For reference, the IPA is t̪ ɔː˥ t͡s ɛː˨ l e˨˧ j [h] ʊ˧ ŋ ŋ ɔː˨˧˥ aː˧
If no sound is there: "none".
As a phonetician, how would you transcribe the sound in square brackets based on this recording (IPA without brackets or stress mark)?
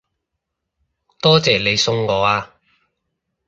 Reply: s